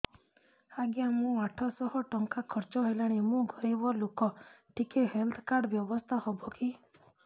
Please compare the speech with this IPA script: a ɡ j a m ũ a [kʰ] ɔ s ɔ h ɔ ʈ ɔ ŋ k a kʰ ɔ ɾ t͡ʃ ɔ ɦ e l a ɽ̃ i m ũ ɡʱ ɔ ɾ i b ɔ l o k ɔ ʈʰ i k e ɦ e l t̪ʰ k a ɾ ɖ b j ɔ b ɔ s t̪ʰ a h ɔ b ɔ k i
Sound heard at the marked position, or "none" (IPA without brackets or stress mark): ʈʰ